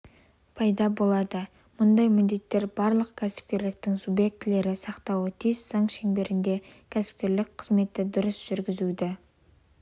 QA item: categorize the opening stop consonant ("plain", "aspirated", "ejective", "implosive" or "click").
aspirated